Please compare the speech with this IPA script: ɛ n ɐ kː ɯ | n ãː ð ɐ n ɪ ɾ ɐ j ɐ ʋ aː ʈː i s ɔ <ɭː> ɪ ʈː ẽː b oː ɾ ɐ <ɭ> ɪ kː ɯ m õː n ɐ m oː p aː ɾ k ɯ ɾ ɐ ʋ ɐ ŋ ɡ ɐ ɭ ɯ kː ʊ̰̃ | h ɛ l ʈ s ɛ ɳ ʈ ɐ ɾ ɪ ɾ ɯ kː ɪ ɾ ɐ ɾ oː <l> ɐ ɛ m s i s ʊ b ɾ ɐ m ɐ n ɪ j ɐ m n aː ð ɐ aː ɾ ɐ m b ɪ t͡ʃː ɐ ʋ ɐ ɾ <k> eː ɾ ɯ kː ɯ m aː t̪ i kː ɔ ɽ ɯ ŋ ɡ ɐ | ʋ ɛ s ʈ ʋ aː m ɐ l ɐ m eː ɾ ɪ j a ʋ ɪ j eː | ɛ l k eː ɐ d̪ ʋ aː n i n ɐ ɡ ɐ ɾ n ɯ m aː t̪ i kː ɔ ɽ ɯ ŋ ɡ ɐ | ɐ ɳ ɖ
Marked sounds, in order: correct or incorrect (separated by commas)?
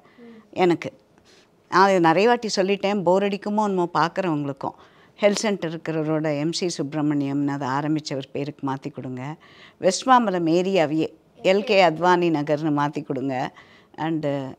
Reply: incorrect, incorrect, incorrect, incorrect